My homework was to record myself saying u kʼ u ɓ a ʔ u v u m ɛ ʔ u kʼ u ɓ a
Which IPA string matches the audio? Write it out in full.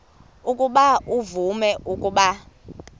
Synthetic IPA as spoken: u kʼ u ɓ a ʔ u v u m ɛ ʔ u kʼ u ɓ a